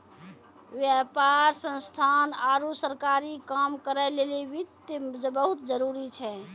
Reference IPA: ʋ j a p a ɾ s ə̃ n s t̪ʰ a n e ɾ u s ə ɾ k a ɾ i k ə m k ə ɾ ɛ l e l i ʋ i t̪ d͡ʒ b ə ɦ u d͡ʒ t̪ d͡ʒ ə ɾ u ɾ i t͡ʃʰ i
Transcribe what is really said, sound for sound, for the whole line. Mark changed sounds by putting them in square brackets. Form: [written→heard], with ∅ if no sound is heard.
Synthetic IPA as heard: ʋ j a p a ɾ s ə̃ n s t̪ʰ a n [e→a] ɾ u s ə ɾ k a ɾ i k [ə→a] m k ə ɾ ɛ l e l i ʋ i t̪ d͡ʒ b ə ɦ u [d͡ʒ→∅] t̪ d͡ʒ ə ɾ u ɾ i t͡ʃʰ [i→ɛ]